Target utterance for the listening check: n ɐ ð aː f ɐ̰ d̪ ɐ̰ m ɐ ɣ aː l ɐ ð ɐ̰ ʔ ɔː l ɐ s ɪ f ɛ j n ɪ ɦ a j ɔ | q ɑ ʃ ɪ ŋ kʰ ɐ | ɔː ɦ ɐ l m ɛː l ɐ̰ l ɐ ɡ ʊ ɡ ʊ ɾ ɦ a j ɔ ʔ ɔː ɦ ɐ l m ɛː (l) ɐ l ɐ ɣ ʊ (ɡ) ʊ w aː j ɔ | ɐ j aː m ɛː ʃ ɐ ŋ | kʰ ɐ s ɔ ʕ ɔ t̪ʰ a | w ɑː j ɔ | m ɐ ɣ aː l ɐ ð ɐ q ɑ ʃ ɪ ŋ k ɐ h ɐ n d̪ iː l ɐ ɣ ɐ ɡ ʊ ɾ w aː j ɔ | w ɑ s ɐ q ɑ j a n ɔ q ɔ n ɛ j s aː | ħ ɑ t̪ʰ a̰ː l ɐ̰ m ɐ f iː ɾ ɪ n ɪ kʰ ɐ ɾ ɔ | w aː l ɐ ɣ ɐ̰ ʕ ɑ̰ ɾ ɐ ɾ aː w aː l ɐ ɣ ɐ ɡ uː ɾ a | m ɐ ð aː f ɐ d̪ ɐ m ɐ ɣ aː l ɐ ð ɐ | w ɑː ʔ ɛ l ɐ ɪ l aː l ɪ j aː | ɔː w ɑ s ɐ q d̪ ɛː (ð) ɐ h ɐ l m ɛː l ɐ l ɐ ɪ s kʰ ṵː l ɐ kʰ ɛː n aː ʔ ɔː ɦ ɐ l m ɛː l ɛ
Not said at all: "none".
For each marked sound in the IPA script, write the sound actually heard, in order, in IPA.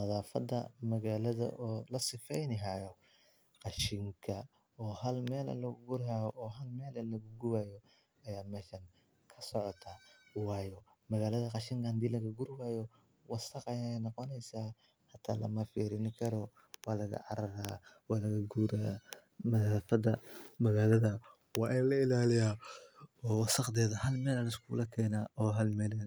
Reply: l, ɡ, ð

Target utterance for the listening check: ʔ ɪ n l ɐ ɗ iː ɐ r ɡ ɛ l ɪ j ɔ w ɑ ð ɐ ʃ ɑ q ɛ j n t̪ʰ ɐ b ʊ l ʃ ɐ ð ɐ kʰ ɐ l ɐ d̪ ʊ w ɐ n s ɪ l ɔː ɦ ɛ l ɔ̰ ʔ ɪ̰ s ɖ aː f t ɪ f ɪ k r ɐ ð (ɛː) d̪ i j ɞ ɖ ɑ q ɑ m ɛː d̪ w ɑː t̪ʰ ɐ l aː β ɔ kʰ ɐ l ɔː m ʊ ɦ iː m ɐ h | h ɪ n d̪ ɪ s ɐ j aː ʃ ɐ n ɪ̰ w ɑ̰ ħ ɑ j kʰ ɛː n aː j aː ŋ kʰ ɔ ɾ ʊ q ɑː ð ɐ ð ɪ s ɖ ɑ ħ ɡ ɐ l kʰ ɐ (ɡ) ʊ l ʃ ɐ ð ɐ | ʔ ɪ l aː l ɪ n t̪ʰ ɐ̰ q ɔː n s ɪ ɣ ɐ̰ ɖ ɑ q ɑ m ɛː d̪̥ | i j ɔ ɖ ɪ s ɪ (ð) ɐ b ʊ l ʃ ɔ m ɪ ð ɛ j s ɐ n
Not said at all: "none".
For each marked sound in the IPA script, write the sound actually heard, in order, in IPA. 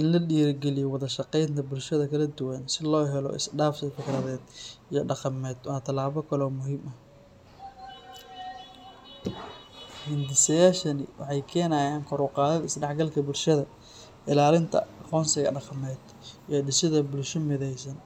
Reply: ɛː, b, ð

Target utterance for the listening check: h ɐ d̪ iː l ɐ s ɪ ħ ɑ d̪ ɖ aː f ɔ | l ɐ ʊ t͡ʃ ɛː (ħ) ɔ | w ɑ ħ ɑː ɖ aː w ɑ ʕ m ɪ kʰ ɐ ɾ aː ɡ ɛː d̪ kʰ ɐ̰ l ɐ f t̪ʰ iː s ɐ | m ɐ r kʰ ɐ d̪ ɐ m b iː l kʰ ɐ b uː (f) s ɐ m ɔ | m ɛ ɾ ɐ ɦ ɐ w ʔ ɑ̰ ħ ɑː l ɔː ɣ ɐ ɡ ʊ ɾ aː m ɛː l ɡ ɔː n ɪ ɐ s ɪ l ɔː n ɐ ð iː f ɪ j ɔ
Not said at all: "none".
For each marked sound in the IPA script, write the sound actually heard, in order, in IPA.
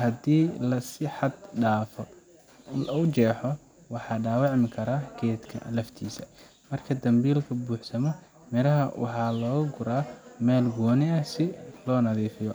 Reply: ħ, ħ

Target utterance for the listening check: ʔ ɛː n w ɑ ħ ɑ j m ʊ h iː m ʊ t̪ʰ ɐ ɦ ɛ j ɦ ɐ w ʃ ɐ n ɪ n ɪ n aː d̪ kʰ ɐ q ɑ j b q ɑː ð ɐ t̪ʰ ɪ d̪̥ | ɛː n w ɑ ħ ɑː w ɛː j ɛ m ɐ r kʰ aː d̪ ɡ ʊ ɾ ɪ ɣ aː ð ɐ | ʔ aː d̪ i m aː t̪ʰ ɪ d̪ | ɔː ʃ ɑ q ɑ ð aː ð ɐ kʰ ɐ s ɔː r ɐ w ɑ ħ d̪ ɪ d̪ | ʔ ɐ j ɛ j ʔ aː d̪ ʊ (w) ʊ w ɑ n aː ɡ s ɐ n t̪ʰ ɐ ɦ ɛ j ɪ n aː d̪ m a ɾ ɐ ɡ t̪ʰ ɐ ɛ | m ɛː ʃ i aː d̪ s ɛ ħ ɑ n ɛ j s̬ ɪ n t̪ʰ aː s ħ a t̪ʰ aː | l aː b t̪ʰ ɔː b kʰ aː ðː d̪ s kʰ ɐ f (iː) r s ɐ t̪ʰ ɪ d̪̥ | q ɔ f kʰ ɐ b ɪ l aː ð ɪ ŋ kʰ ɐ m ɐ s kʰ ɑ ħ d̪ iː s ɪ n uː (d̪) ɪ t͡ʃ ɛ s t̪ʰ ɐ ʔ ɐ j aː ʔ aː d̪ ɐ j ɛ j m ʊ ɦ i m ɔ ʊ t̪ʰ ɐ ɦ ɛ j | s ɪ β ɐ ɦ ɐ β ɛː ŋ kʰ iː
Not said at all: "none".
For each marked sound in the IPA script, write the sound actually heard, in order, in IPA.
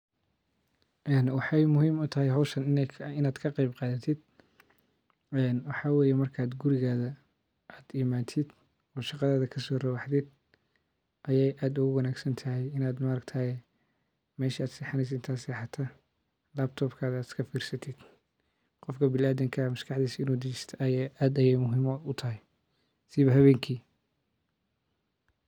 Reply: ɣ, iː, d̪

